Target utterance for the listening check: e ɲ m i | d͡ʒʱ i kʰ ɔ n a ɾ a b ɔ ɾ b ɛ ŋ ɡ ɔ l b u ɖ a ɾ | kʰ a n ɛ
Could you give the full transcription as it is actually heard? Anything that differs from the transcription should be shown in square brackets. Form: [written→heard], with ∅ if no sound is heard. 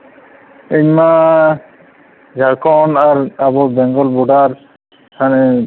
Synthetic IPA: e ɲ m [i→a] | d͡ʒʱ [i→a] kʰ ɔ n a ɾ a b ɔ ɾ b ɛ ŋ ɡ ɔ l b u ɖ a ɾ | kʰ a n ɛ